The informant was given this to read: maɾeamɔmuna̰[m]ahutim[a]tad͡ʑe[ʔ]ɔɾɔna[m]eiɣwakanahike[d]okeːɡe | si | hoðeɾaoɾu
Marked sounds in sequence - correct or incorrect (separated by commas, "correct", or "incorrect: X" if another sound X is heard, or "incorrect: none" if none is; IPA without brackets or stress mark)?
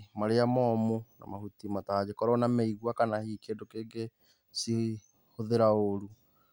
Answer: correct, correct, incorrect: k, correct, correct